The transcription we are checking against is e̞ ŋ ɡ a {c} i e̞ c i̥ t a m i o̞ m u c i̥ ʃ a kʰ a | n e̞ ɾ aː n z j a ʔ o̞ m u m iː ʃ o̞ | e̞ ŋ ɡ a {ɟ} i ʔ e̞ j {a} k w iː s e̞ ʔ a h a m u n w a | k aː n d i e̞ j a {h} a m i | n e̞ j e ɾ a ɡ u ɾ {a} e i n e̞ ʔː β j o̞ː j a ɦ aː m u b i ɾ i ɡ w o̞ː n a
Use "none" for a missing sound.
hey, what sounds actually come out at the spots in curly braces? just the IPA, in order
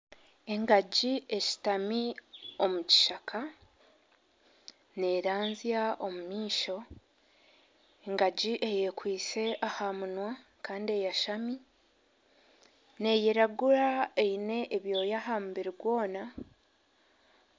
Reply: ɟ, ɟ, e, ʃ, a

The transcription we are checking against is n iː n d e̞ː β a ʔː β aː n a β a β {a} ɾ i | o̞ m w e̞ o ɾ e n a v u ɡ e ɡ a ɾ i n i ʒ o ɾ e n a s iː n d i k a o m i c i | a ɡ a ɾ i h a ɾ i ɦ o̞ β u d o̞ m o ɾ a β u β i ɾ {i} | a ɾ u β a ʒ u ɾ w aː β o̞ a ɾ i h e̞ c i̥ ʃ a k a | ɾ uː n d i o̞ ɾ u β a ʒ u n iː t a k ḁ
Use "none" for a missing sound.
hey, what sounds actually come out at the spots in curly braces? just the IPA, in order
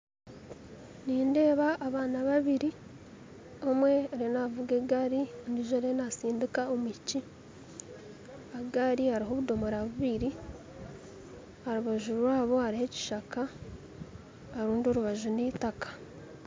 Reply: i, i

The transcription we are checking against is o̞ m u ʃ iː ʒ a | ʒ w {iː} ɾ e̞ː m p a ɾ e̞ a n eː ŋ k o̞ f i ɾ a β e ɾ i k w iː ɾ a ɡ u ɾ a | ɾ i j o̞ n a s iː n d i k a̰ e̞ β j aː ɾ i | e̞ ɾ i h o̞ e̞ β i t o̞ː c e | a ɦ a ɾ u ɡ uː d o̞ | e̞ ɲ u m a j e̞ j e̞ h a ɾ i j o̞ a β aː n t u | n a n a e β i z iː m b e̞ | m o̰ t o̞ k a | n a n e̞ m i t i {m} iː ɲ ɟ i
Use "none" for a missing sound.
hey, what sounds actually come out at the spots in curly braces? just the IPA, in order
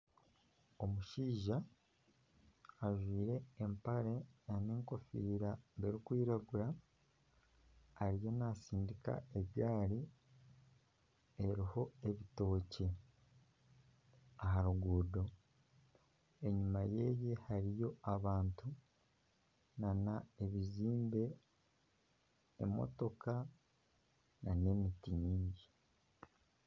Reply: iː, ɲ

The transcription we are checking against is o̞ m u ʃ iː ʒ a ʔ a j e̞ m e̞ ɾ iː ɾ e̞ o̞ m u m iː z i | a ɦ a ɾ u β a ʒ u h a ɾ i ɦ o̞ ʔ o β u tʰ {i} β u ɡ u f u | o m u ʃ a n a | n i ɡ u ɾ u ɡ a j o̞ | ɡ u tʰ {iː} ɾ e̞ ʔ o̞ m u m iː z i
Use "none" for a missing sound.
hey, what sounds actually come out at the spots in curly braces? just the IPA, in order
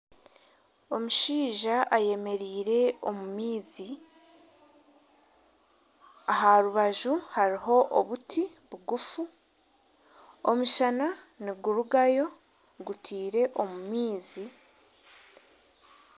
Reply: i, iː

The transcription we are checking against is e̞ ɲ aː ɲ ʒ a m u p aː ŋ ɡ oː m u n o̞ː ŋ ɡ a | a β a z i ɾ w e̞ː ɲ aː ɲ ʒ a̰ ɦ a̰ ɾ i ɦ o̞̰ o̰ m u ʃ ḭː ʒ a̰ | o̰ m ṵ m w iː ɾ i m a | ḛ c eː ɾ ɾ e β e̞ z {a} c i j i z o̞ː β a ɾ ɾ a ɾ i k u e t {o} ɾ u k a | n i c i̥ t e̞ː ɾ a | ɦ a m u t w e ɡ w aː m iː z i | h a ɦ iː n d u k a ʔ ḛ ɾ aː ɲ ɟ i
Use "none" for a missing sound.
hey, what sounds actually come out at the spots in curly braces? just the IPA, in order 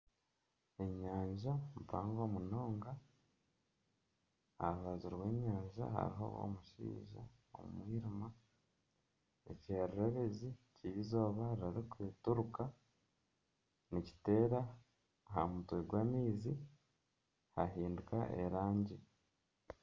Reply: i, u

